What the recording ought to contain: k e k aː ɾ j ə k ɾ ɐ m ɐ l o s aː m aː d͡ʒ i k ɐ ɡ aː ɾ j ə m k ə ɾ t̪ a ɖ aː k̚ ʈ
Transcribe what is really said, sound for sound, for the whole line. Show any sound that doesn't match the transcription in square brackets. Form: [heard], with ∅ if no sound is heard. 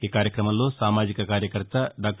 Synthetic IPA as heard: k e k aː ɾ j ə k ɾ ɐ m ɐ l o s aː m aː d͡ʒ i k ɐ [k] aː ɾ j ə [∅] k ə ɾ t̪ a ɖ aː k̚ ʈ